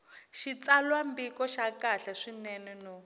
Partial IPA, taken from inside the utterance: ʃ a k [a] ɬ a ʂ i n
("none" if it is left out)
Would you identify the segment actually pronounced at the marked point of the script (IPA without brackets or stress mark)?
a